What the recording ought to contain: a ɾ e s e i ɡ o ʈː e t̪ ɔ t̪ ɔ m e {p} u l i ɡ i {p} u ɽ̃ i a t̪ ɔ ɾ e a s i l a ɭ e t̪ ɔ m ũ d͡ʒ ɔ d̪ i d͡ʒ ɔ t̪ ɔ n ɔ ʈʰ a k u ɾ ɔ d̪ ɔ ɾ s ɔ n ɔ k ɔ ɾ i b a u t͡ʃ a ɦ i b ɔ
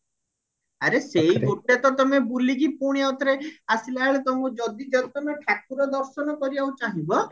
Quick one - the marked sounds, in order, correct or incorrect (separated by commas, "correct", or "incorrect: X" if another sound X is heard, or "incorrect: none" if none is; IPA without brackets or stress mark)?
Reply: incorrect: b, correct